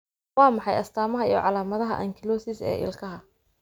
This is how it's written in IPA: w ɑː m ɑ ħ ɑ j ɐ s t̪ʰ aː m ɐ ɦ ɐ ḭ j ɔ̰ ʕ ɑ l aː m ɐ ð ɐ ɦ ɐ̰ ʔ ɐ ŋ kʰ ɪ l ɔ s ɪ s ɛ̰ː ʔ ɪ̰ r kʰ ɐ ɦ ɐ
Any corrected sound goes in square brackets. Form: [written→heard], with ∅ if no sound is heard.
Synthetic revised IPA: w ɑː m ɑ ħ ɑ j ɐ s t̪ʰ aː m ɐ ɦ ɐ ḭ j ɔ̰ ʕ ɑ l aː m ɐ ð ɐ ɦ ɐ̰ ʔ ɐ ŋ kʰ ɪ l ɔ s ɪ s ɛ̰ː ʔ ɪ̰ [r→l] kʰ ɐ ɦ ɐ